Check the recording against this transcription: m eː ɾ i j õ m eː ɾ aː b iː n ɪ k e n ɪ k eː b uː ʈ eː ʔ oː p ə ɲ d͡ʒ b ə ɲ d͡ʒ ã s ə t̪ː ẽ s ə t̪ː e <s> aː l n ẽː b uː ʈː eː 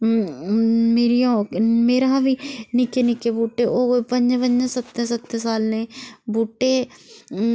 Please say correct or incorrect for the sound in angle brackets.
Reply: correct